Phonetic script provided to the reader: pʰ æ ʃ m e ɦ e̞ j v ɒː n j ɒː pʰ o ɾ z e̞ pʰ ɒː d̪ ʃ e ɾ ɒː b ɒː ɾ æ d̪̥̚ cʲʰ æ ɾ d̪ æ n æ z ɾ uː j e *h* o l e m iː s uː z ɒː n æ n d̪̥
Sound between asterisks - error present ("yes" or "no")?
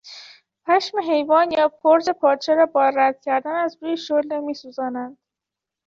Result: yes